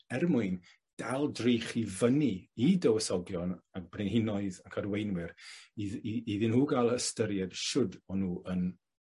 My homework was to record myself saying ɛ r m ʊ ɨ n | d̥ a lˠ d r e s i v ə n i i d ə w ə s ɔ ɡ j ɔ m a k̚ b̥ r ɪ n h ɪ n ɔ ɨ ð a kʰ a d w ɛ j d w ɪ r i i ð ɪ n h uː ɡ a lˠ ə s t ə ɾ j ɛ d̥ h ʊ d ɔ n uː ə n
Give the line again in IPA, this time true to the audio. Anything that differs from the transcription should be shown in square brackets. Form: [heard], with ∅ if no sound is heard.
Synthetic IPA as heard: ɛ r m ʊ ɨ n | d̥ a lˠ d r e [χ] i v ə n i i d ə w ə s ɔ ɡ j ɔ [n] a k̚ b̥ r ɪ n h ɪ n ɔ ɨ ð a kʰ a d w [e] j [n] w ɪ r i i ð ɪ n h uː ɡ a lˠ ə s t ə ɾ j ɛ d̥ [ʃ] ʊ d ɔ n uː ə n